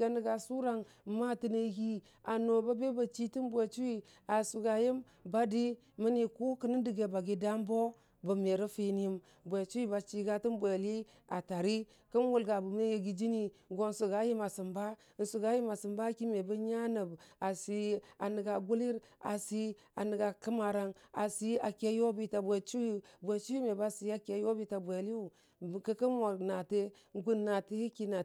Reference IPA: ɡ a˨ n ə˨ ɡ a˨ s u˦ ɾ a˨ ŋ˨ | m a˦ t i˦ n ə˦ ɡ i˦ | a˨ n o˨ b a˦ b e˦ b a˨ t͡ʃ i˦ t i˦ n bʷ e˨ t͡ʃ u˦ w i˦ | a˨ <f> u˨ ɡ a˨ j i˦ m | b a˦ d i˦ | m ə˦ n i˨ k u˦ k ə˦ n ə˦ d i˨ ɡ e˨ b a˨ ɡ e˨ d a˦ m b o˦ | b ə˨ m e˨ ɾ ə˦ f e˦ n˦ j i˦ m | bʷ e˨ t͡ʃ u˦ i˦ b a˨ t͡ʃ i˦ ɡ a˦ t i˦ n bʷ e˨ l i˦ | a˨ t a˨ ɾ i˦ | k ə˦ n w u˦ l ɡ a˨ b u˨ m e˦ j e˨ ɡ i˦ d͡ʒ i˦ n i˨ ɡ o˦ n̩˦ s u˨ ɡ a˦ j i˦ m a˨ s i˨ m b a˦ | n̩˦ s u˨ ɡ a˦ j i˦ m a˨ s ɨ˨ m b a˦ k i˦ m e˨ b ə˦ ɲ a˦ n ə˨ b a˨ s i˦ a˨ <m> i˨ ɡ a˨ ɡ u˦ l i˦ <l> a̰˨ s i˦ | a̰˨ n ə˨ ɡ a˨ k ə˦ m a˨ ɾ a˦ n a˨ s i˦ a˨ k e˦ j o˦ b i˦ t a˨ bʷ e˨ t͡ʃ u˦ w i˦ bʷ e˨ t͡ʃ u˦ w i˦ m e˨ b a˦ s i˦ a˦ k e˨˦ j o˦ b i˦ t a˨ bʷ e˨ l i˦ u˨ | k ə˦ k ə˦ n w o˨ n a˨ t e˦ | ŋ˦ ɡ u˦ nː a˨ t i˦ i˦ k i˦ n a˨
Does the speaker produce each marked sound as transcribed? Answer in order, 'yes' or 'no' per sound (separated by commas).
no, no, no